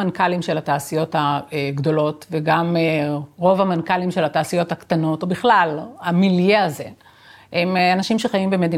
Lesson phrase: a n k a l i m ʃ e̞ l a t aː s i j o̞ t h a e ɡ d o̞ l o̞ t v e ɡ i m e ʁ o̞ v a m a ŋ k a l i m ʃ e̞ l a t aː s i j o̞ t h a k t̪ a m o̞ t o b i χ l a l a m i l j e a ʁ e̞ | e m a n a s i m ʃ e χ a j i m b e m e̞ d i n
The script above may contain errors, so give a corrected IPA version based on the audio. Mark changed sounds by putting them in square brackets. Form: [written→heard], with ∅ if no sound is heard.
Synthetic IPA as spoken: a n k a l i m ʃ e̞ l a t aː s i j o̞ t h a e ɡ d o̞ l o̞ t v e ɡ [i→a] m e ʁ o̞ v a m a [ŋ→n] k a l i m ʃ e̞ l a t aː s i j o̞ t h a k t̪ a [m→n] o̞ t o b i χ l a l a m i l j e a [ʁ→z] e̞ | e m a n a [s→ʃ] i m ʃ e χ a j i m b e m e̞ d i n